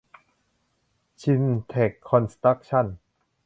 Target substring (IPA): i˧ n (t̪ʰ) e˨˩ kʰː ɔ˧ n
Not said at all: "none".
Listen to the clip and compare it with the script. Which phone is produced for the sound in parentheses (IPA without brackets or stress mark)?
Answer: t̪ʰ